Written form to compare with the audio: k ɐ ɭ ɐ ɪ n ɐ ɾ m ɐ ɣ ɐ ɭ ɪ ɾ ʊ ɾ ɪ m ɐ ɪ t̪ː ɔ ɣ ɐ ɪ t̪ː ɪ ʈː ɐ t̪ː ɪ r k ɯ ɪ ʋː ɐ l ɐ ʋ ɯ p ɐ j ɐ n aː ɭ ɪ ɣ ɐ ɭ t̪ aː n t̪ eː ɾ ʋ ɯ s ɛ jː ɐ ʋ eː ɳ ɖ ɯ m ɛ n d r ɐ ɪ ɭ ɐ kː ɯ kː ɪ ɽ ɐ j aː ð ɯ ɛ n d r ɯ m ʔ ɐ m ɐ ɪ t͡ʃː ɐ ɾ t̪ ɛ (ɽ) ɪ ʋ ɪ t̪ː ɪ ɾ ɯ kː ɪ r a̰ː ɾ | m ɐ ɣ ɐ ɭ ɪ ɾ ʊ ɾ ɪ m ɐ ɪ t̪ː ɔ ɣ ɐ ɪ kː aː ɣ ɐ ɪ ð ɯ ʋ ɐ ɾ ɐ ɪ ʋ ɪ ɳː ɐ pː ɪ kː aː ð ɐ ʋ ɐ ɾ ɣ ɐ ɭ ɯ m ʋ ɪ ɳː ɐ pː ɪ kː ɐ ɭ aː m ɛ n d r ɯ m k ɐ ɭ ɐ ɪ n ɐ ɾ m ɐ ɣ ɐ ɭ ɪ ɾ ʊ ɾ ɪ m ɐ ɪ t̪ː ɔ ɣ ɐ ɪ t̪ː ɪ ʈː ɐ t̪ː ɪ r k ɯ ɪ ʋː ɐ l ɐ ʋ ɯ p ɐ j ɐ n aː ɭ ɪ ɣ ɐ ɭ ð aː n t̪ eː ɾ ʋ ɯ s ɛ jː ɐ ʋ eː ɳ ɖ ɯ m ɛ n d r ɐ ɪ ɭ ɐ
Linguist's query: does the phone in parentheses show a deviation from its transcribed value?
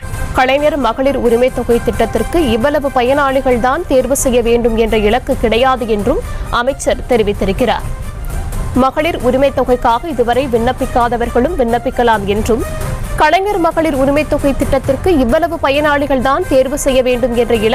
yes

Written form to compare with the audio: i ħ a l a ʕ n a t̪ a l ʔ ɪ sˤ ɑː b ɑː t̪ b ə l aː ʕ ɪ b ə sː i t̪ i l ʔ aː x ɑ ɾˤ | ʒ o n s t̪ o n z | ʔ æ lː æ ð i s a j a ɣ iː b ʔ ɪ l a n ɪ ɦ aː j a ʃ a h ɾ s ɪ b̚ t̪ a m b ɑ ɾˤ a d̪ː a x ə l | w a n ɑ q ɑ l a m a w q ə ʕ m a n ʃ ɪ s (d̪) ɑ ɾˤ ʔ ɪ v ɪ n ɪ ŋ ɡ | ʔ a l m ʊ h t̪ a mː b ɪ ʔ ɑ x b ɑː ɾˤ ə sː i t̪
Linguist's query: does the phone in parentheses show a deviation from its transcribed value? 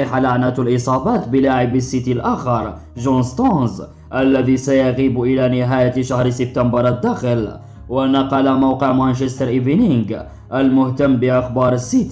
yes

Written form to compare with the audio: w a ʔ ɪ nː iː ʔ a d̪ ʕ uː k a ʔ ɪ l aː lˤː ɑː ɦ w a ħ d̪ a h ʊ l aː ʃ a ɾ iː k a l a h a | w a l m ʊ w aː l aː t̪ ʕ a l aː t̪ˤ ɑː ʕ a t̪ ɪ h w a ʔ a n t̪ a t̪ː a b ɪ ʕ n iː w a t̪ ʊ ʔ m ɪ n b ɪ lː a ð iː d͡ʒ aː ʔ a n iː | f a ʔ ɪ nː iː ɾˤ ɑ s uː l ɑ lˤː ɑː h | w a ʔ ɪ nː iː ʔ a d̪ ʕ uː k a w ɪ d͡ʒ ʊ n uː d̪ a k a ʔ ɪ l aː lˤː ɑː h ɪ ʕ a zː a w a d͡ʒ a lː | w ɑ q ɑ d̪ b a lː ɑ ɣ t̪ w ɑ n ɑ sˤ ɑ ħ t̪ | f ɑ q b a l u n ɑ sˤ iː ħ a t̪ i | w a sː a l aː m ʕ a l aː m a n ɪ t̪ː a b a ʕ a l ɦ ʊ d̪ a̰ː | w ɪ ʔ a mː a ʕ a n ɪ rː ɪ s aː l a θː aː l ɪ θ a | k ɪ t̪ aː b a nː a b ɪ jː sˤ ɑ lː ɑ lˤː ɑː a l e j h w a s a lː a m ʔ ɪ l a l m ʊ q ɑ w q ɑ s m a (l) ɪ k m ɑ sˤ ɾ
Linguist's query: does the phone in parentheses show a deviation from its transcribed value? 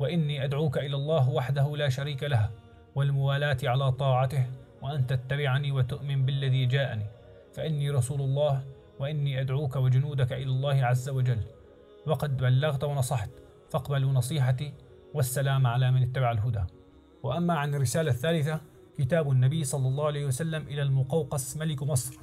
no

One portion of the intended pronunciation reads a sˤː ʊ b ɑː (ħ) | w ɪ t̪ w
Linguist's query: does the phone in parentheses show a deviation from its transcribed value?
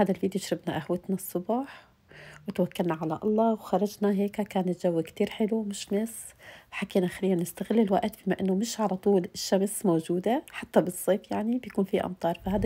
no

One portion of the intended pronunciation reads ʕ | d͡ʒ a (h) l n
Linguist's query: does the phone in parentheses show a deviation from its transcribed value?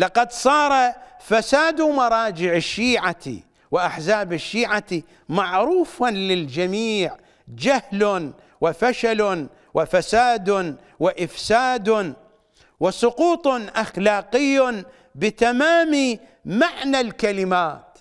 no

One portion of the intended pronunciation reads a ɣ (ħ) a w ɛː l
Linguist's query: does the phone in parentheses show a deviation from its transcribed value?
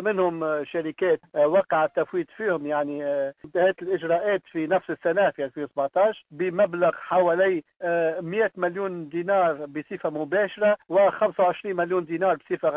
no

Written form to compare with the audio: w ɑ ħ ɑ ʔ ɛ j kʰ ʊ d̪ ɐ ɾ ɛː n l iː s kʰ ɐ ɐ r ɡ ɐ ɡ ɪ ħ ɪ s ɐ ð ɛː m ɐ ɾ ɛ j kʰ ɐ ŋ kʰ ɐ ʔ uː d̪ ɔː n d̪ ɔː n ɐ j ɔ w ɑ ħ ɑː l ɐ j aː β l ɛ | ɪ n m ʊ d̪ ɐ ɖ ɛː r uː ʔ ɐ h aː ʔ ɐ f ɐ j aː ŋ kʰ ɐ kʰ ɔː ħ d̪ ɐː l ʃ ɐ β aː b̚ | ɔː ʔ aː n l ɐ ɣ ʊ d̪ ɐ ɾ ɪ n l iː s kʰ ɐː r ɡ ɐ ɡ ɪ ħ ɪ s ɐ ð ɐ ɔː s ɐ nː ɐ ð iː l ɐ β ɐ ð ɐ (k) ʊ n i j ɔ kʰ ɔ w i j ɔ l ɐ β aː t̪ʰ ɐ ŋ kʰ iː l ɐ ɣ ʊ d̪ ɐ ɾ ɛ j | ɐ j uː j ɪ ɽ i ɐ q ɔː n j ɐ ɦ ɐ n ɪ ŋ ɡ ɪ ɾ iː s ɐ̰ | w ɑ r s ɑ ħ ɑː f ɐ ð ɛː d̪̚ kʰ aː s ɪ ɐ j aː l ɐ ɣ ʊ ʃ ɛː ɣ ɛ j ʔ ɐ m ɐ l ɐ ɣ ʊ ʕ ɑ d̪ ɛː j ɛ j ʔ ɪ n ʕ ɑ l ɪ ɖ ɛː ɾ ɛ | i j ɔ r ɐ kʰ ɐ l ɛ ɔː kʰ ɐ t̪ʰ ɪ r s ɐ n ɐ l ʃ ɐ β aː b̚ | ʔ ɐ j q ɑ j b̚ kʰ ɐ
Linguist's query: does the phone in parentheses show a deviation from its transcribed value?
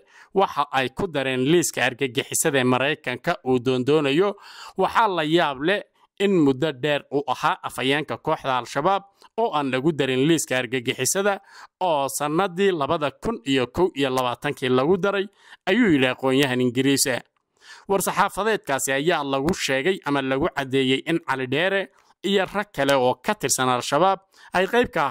yes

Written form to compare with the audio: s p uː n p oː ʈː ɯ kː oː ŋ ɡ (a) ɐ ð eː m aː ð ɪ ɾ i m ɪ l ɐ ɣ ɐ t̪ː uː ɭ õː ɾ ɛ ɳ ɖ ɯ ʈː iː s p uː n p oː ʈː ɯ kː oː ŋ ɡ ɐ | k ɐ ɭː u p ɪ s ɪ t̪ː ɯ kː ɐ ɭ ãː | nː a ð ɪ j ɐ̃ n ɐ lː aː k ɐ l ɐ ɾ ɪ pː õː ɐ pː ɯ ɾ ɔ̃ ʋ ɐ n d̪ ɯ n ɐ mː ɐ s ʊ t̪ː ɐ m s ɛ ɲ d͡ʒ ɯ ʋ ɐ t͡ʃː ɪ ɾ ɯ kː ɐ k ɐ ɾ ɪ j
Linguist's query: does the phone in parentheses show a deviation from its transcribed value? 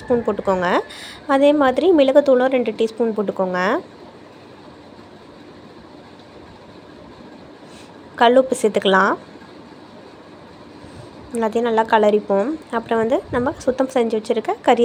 yes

